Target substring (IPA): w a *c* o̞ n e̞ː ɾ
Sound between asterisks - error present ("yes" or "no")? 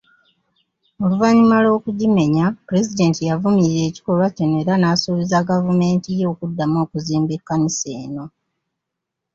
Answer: no